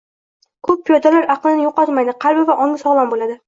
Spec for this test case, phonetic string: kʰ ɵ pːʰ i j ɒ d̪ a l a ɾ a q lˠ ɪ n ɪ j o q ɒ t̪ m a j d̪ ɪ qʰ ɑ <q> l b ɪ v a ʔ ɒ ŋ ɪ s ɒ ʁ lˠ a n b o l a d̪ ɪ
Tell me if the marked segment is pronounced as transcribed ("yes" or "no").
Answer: no